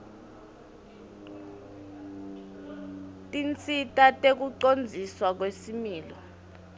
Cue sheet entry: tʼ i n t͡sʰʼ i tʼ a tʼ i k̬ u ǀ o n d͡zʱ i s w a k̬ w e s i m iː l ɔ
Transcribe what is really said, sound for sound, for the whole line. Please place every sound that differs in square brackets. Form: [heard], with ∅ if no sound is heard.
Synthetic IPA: tʼ i n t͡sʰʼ i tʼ a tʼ [e] k̬ u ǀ o n d͡zʱ i s w a k̬ w e s i m iː l ɔ